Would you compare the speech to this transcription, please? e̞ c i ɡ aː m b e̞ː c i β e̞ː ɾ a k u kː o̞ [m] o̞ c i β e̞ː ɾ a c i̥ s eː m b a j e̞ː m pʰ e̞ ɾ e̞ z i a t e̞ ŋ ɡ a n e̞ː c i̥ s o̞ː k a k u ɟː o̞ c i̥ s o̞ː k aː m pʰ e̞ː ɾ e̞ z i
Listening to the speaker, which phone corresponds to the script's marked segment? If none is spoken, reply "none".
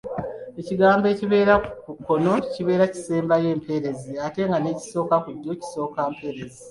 n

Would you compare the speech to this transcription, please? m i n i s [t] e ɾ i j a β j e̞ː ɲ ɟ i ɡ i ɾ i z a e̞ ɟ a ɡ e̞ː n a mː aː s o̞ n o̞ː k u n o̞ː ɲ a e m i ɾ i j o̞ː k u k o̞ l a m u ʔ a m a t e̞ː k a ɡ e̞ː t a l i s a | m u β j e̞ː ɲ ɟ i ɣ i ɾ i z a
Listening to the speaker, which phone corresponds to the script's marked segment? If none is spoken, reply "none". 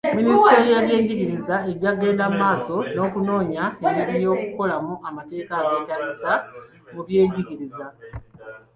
t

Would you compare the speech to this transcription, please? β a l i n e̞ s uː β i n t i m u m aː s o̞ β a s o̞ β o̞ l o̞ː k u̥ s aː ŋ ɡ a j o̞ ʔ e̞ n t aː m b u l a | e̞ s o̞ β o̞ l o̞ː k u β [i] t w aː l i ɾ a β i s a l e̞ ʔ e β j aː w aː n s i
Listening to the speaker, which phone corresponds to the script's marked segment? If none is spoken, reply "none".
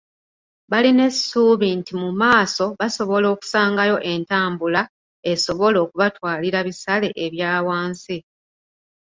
a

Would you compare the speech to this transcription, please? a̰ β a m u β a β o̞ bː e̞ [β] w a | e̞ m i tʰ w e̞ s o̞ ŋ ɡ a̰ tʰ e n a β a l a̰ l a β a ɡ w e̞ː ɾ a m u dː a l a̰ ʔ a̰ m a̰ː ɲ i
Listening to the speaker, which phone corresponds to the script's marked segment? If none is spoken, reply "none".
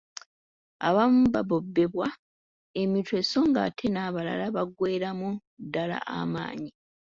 β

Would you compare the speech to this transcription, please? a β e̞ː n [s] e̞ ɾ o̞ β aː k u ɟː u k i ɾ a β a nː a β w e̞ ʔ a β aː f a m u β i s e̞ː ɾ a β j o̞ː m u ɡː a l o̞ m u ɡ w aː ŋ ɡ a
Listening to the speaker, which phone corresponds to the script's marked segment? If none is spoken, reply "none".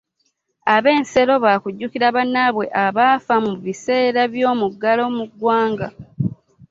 s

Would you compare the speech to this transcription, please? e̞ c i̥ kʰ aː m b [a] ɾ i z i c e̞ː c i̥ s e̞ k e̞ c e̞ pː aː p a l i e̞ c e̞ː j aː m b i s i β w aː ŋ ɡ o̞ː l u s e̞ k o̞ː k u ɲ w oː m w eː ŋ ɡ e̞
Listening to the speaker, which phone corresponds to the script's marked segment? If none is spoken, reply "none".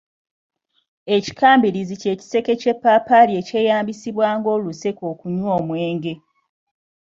i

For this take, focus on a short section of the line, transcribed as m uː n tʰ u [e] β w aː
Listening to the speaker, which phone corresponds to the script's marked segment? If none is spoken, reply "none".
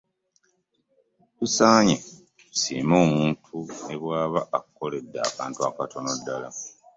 e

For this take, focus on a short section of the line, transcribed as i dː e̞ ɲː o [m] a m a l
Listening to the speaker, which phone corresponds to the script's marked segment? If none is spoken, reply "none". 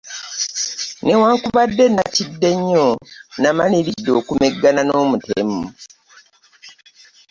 n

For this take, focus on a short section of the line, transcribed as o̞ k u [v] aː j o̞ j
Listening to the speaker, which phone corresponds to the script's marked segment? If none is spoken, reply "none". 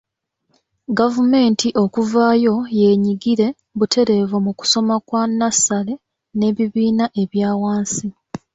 v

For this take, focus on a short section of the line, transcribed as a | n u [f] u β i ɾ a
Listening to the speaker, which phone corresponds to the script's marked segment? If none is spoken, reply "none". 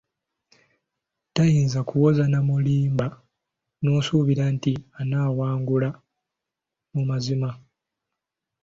s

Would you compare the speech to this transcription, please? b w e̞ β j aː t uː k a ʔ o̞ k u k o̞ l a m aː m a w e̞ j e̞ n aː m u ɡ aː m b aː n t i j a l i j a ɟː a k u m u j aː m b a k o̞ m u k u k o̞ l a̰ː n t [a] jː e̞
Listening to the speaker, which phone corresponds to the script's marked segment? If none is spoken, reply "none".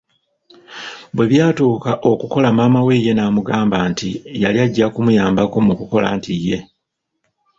i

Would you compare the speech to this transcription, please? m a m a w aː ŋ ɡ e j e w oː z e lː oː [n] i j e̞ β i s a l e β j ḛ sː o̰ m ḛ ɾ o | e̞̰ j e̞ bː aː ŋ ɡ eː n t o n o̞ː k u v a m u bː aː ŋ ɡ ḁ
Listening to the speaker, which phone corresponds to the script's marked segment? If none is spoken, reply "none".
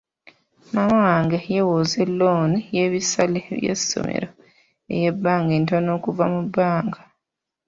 n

